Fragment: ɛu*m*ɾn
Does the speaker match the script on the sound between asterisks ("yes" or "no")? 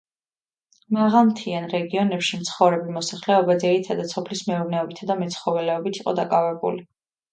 no